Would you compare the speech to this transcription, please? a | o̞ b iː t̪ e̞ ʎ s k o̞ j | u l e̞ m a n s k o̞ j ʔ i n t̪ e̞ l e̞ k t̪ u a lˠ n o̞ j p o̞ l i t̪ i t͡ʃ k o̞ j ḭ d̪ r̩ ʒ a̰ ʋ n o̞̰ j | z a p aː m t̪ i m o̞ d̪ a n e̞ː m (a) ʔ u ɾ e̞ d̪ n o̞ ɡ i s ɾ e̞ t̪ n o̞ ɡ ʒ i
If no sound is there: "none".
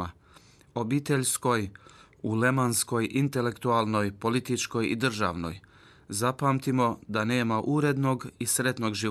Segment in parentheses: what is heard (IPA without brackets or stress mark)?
a